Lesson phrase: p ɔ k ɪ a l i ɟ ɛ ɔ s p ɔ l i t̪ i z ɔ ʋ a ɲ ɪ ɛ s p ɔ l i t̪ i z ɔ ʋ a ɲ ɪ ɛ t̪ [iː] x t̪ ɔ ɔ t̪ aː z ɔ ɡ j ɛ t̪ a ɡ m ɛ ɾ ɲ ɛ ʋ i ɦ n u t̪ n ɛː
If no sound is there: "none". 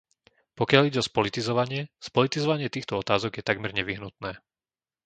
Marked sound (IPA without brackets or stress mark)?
iː